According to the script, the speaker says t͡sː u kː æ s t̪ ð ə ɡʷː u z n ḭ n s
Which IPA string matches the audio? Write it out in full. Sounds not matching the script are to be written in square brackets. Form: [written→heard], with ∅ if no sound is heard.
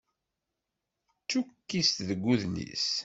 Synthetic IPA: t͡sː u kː [æ→i] s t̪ ð ə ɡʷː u [z→ð] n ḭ [n→∅] s